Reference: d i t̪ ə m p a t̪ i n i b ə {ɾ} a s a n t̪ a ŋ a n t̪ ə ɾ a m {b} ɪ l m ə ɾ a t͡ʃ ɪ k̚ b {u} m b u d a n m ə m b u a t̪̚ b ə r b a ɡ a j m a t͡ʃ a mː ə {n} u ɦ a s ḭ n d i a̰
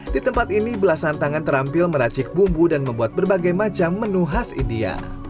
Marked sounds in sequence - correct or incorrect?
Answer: incorrect, incorrect, correct, correct

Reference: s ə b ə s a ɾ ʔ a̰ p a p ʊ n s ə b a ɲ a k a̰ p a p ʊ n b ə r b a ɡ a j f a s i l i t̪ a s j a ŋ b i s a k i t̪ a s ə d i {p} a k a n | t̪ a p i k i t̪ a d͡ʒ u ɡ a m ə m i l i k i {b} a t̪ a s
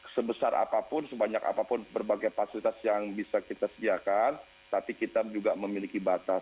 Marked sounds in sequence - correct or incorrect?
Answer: incorrect, correct

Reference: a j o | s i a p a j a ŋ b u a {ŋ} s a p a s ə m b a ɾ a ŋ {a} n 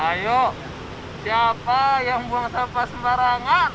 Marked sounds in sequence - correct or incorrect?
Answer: correct, correct

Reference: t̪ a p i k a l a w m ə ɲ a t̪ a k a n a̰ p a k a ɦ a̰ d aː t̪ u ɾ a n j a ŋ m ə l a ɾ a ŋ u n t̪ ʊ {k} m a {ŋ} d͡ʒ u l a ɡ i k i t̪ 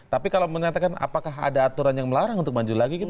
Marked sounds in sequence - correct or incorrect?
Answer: correct, incorrect

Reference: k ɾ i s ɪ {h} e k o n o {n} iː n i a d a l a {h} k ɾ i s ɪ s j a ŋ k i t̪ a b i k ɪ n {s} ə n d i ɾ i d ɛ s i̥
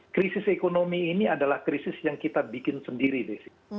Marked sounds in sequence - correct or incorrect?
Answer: incorrect, incorrect, correct, correct

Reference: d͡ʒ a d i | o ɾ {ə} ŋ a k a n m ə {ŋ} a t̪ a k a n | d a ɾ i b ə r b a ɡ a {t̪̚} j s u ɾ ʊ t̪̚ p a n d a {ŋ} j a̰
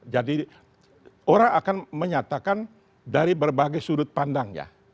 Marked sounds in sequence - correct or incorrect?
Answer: incorrect, incorrect, incorrect, correct

